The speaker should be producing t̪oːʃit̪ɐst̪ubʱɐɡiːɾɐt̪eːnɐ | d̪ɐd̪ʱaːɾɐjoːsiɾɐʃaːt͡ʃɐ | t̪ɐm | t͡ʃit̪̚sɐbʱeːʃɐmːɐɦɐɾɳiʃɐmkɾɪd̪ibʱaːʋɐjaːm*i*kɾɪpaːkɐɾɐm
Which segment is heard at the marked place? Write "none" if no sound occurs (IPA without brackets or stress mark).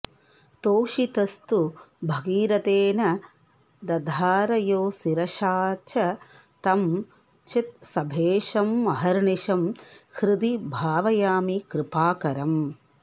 i